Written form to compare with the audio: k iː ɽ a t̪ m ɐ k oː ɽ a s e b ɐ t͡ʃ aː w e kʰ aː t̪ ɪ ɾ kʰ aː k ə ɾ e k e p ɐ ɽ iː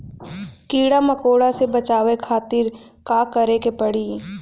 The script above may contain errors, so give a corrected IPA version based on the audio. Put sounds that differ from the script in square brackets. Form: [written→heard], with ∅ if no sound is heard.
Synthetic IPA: k iː ɽ a [t̪→∅] m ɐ k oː ɽ a s e b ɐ t͡ʃ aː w e kʰ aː t̪ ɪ ɾ [kʰ→k] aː k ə ɾ e k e p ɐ ɽ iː

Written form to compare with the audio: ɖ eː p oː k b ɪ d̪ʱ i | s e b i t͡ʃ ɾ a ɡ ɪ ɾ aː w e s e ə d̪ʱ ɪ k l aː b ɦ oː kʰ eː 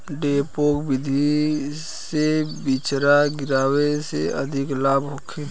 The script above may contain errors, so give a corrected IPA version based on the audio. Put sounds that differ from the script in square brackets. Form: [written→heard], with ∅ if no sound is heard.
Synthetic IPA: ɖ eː p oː k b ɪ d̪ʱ i | s e b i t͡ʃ ɾ a ɡ ɪ ɾ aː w e s e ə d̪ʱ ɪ k l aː b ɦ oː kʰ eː

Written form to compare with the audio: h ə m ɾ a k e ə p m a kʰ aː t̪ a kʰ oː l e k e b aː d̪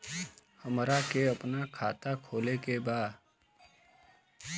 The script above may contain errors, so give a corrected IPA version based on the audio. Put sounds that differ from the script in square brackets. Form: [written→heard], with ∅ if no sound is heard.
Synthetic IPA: h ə m ɾ a k e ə p [m→n] a kʰ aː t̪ a kʰ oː l e k e b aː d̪

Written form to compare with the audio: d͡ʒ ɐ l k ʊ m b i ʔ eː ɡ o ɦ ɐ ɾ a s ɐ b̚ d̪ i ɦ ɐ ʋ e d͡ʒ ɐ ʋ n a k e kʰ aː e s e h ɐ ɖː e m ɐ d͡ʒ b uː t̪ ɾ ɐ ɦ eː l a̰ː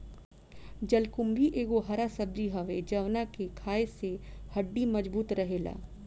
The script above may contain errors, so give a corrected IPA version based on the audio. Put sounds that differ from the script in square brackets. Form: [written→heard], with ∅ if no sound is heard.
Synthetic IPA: d͡ʒ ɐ l k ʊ m b i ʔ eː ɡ o ɦ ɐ ɾ a s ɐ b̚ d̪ i ɦ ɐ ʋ e d͡ʒ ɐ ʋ n a k e kʰ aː e s e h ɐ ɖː [e→i] m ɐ d͡ʒ b uː t̪ ɾ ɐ ɦ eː l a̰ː

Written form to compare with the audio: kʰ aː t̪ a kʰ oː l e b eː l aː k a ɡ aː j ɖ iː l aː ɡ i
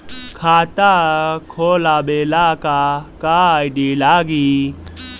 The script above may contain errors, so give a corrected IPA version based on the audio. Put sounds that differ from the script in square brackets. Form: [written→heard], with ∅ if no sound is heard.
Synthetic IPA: kʰ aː t̪ a kʰ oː l [e→a] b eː l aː k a [ɡ→k] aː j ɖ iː l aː ɡ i

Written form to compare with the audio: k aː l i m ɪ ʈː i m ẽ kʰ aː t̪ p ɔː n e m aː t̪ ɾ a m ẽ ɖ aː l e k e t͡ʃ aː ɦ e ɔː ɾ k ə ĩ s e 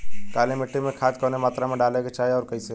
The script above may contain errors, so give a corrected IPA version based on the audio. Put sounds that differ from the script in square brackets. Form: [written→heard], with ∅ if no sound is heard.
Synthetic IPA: k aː l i m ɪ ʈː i m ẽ kʰ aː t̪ [p→k] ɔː n e m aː t̪ ɾ a m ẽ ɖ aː l e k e t͡ʃ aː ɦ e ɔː ɾ k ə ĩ s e

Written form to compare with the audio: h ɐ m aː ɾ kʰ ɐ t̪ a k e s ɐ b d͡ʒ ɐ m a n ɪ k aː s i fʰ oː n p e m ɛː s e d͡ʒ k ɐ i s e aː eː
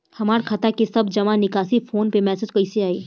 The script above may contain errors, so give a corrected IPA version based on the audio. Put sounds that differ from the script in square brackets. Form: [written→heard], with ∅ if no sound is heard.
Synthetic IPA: h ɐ m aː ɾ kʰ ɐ t̪ a k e s ɐ b d͡ʒ ɐ m a n ɪ k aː s i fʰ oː n p e m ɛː s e d͡ʒ k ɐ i s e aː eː

